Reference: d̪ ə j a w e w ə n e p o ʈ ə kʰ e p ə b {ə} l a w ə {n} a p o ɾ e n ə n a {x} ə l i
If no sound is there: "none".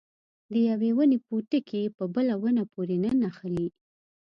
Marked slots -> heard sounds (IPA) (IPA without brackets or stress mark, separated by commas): ə, n, x